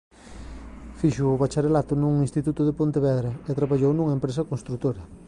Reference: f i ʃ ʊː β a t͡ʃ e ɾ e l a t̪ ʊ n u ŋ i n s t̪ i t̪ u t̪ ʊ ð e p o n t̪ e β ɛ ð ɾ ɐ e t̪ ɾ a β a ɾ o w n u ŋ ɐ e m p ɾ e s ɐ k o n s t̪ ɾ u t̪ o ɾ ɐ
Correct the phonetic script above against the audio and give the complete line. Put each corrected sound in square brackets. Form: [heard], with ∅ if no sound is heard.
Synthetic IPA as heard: f i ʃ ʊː β a t͡ʃ [a] ɾ e l a t̪ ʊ n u ŋ i n s t̪ i t̪ u t̪ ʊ ð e p o n t̪ e β ɛ ð ɾ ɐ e t̪ ɾ a β a [ʎ] o w n u ŋ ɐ e m p ɾ e s ɐ k o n s t̪ ɾ u t̪ o ɾ ɐ